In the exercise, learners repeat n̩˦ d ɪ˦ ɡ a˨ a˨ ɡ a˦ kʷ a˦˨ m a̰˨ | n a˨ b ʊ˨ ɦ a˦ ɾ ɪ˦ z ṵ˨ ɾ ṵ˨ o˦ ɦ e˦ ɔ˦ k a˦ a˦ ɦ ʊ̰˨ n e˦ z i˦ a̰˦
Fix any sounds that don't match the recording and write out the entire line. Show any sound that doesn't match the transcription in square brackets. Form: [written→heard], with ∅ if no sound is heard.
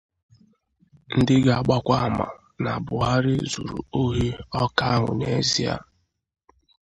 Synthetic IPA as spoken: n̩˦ d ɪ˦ ɡ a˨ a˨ [ɡ→ɡ͡b] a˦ kʷ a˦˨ m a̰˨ | n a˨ b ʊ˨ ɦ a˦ ɾ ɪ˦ z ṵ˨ ɾ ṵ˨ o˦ ɦ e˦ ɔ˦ k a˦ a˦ ɦ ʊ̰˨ n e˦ z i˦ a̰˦

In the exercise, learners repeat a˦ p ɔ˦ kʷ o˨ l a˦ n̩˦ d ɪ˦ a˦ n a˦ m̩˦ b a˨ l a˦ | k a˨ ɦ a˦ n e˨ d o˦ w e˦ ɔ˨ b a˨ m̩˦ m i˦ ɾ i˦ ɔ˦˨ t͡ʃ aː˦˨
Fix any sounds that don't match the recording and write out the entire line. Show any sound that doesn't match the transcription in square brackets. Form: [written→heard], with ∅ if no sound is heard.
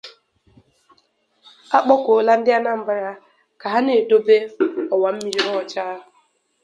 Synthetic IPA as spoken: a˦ [p→k͡p] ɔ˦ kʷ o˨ l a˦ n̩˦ d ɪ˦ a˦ n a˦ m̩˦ b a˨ [l→ɾ] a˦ | k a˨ ɦ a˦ n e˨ d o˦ [w→b] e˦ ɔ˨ [b→w] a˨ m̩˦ m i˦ ɾ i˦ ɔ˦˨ t͡ʃ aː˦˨

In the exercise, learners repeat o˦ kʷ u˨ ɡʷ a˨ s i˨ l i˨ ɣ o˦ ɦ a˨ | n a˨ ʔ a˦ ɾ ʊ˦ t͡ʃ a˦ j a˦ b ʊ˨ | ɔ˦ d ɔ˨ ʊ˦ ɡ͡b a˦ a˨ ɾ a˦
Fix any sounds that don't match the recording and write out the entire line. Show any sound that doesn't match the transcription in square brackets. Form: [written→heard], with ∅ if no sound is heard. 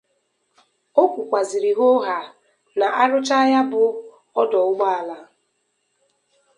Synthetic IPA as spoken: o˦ kʷ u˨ [ɡʷ→kʷ] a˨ [s→z] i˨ [l→ɾ] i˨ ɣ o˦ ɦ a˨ | n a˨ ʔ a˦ ɾ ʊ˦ t͡ʃ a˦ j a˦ b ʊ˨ | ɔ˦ d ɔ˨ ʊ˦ ɡ͡b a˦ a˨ [ɾ→l] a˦

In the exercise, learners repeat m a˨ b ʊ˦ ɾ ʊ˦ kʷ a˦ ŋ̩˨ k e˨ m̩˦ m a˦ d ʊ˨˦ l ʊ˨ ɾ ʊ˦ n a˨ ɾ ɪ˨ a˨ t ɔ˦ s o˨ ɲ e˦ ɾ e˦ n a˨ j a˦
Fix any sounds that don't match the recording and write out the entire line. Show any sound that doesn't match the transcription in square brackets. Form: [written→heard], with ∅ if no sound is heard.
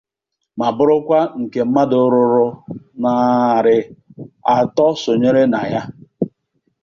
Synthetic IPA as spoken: m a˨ b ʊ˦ ɾ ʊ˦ kʷ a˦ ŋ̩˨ k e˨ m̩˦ m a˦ d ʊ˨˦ [l→ɾ] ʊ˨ ɾ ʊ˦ n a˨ ɾ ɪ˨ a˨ t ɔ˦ s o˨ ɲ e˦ ɾ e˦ n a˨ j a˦

